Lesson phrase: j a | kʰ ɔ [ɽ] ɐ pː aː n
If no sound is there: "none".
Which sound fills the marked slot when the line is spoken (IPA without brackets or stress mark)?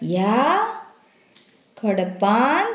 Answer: ɽ